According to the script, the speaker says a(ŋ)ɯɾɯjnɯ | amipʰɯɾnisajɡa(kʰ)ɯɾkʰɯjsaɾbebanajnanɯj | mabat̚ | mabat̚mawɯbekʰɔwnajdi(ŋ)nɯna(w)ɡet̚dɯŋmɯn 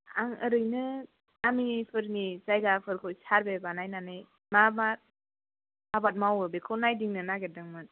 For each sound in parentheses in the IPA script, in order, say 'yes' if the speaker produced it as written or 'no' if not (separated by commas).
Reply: yes, no, yes, no